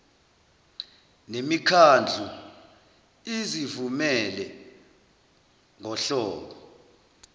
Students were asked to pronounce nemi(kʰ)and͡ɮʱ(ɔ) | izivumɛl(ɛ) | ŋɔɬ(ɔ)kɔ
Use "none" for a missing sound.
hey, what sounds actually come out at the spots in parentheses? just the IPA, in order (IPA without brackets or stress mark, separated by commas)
kʰ, u, ɛ, ɔː